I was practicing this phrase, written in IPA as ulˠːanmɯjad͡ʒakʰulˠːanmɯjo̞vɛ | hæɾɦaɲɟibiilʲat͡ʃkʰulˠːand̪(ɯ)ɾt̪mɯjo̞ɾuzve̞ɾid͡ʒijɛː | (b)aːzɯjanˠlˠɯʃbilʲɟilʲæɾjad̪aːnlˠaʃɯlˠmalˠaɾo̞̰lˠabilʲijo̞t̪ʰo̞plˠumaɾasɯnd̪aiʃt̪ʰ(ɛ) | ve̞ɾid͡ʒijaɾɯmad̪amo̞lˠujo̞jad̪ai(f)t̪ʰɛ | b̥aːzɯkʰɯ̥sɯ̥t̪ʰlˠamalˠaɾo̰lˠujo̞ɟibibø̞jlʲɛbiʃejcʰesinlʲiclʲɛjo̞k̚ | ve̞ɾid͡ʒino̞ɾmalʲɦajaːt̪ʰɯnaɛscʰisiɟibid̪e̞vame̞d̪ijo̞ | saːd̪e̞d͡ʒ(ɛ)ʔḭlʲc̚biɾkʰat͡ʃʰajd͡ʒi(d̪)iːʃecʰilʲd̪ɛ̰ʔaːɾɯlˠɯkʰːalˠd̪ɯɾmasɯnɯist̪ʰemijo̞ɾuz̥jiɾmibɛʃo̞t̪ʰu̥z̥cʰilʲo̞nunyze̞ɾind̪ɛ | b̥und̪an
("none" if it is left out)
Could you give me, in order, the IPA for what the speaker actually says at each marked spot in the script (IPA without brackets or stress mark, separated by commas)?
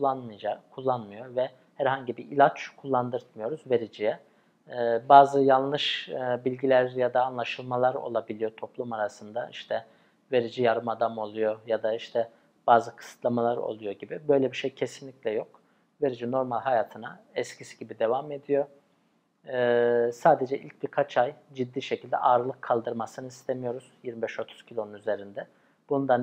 ɯ, b, ɛ, ʃ, ɛ, d̪ː